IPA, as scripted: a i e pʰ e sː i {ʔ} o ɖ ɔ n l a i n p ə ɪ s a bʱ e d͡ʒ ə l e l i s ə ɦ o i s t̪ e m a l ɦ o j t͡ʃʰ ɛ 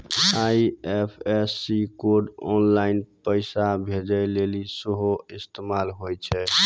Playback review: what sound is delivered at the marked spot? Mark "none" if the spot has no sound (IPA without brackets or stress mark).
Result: k